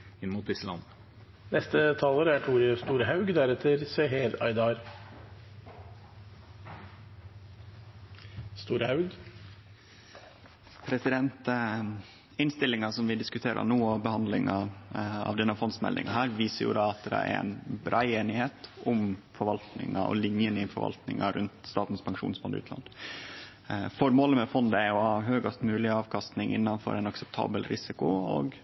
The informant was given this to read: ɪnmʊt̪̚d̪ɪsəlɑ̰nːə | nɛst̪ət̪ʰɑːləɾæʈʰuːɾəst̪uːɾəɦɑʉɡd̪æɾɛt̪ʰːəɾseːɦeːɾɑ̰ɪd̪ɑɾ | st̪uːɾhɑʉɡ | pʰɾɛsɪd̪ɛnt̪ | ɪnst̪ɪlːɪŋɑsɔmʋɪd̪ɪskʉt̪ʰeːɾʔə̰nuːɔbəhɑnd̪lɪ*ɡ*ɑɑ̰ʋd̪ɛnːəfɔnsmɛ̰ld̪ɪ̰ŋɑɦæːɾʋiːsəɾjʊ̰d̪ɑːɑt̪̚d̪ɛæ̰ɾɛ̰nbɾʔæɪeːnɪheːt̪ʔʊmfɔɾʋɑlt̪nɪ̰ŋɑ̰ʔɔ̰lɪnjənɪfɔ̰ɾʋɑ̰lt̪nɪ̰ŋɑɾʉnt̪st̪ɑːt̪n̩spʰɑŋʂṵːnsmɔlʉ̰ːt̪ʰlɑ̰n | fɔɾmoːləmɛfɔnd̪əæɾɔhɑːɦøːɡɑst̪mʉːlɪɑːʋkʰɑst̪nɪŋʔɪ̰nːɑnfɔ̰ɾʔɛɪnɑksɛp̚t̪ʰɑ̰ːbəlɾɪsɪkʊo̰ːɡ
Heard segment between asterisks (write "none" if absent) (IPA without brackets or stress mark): ŋ